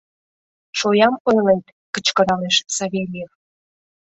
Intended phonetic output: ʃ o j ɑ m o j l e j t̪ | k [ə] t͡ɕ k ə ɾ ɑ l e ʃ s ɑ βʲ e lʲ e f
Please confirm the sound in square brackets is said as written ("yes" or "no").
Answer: yes